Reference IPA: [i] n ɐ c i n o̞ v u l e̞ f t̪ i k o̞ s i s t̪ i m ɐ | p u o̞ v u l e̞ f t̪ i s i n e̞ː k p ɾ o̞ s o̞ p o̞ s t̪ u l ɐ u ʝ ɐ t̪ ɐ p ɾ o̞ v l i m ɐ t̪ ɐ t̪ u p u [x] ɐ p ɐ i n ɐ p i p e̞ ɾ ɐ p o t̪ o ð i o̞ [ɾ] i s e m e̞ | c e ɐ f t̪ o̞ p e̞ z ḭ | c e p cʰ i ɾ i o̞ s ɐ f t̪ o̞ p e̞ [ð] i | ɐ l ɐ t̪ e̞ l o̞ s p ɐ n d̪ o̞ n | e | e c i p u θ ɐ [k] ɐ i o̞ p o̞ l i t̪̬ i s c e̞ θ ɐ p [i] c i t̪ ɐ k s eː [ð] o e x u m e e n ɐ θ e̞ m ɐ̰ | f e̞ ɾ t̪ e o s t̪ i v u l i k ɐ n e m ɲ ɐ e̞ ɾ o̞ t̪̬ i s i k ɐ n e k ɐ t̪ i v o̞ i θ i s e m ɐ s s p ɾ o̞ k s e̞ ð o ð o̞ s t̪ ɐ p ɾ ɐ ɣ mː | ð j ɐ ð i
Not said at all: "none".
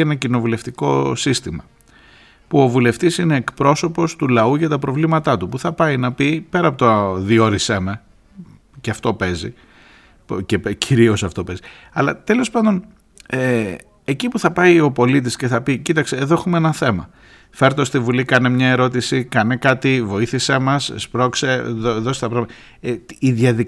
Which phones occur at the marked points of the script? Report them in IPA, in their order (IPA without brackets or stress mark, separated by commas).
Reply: e, θ, ɾ, z, p, i, ð